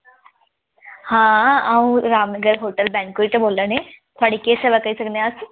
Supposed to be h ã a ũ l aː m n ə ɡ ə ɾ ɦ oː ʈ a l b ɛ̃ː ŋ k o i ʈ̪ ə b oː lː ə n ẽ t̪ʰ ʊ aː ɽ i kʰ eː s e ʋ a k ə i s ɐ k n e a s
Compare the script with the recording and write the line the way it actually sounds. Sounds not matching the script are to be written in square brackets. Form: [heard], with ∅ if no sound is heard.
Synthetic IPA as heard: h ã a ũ [ɾ] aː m n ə ɡ ə ɾ ɦ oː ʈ [ə] l b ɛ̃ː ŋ k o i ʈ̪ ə b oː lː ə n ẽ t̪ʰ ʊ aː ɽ i [k] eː s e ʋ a k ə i s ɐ k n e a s

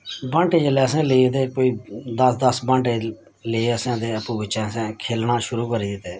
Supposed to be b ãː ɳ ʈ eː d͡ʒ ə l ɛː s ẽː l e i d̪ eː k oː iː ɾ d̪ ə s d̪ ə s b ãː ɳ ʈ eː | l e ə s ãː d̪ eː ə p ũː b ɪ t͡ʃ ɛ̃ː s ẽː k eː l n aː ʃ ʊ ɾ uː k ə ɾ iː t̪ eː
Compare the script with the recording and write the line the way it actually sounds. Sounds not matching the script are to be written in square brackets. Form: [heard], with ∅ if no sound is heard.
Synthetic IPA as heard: b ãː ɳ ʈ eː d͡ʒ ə l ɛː s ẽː l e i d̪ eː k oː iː [∅] d̪ ə s d̪ ə s b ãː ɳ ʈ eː | l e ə s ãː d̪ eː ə p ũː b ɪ t͡ʃ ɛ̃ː s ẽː [kʰ] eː l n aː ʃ ʊ ɾ uː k ə ɾ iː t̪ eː

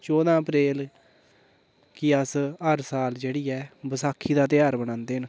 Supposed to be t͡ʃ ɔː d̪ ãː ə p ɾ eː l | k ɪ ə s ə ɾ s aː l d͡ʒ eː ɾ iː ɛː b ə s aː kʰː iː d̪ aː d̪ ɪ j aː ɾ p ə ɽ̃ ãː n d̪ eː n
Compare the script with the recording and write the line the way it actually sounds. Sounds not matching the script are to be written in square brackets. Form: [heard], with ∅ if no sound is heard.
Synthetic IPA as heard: t͡ʃ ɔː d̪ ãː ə p ɾ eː l | k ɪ ə s ə ɾ s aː l d͡ʒ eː [ɽ] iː ɛː b ə s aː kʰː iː d̪ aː [t̪] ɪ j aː ɾ [b] ə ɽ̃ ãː n d̪ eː n

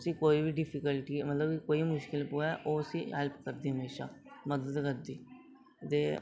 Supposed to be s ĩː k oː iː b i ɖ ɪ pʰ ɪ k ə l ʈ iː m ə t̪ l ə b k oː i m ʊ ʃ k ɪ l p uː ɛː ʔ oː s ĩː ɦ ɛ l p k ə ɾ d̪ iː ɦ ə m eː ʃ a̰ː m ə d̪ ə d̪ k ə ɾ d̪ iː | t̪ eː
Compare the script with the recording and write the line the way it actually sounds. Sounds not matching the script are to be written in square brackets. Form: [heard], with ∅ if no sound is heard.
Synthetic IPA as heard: s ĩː k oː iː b i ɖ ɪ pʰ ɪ k ə l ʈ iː m ə t̪ l ə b k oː i m ʊ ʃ k ɪ l p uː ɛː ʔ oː s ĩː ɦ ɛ l p k ə ɾ d̪ iː ɦ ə m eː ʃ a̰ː m ə d̪ ə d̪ k ə ɾ d̪ iː | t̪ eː

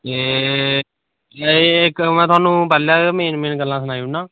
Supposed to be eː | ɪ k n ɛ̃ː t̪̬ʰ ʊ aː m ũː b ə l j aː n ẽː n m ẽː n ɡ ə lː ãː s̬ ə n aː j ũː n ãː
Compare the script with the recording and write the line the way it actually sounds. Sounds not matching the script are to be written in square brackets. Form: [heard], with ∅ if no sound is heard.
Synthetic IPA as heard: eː | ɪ k [m] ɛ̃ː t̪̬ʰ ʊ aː [n] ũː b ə l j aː [m] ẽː n m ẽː n ɡ ə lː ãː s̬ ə n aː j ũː n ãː

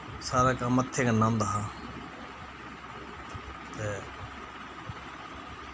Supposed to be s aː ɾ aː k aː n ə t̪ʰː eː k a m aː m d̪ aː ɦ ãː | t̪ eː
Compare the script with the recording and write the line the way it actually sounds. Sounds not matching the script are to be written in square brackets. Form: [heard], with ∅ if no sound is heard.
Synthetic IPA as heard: s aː ɾ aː k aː [m] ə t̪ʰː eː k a [n] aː m d̪ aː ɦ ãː | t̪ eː

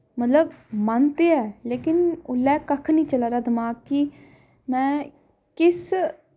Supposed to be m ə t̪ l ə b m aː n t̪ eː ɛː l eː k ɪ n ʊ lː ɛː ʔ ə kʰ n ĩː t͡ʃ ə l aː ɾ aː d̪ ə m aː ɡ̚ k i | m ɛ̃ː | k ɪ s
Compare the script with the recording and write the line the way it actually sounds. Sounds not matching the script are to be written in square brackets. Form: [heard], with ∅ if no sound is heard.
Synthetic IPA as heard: m ə t̪ l ə b m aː n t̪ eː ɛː l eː k ɪ n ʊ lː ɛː [k] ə kʰ n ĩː t͡ʃ ə l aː ɾ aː d̪ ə m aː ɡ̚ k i | m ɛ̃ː | k ɪ s

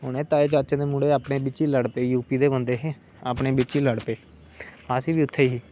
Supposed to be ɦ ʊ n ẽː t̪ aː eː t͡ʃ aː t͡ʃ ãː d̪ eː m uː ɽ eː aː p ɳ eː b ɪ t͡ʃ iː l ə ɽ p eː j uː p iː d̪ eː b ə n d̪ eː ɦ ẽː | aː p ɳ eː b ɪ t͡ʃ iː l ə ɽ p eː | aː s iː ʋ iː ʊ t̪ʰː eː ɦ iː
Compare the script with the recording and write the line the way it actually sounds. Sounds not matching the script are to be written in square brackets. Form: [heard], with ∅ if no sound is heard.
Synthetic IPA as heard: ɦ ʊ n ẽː t̪ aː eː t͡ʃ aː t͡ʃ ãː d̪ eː m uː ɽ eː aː p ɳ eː b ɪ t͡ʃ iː l ə ɽ p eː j uː p iː d̪ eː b ə n d̪ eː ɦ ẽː | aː p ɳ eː b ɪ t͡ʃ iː l ə ɽ p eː | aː s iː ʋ iː ʊ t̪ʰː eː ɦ iː

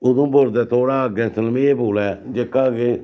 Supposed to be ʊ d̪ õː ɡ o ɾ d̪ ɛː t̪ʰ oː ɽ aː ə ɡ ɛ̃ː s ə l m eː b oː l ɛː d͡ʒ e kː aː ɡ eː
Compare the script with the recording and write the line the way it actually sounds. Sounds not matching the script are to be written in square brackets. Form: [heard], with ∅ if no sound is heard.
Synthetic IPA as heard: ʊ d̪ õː [b] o ɾ d̪ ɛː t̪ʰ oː ɽ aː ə ɡ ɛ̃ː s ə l m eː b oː l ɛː d͡ʒ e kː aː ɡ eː

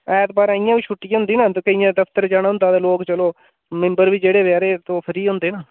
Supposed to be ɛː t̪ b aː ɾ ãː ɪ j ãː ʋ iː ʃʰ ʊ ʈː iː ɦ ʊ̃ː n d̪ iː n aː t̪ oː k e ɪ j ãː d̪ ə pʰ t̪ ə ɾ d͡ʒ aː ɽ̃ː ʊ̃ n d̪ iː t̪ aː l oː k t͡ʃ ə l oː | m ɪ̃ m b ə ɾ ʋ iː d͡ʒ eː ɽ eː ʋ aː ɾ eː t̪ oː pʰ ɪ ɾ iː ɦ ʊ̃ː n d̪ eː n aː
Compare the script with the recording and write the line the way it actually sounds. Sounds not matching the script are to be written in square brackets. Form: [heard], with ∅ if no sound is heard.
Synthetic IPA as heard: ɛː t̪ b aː ɾ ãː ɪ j ãː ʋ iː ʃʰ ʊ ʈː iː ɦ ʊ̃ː n d̪ iː n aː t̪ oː k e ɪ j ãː d̪ ə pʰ t̪ ə ɾ d͡ʒ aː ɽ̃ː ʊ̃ n d̪ [aː] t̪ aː l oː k t͡ʃ ə l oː | m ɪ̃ m b ə ɾ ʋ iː d͡ʒ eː ɽ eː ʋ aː ɾ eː t̪ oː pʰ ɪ ɾ iː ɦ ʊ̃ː n d̪ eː n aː

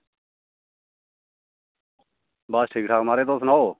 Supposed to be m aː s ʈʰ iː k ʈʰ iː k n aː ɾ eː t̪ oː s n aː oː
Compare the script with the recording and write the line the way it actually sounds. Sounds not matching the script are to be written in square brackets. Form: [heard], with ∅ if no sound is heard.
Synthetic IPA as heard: [b] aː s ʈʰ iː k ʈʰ [aː] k [m] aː ɾ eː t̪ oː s n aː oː

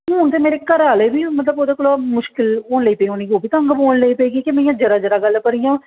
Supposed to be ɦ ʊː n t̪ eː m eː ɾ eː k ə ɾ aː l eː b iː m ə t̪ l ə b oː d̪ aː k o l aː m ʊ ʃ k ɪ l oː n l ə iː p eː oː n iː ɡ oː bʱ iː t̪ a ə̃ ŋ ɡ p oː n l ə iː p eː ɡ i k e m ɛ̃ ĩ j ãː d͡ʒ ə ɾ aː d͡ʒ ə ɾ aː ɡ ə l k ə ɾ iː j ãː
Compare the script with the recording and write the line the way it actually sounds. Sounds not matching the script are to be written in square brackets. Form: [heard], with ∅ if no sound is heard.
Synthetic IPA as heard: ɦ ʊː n t̪ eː m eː ɾ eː k ə ɾ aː l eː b iː m ə t̪ l ə b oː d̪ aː k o l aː m ʊ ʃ k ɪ l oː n l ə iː p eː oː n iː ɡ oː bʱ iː t̪ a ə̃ ŋ ɡ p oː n l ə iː p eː ɡ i k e m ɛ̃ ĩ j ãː d͡ʒ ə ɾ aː d͡ʒ ə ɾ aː ɡ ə l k ə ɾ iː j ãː

